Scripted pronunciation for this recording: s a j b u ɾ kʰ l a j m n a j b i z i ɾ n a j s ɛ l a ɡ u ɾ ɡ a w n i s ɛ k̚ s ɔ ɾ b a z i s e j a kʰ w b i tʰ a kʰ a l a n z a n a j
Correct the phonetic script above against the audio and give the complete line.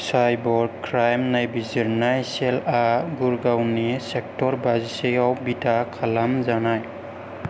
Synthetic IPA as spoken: s a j b ɔ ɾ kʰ ɾ a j m n a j b i z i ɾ n a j s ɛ l a ɡ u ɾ ɡ a w n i s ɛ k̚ t ɔ ɾ b a z i s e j a w b i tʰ a kʰ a l a m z a n a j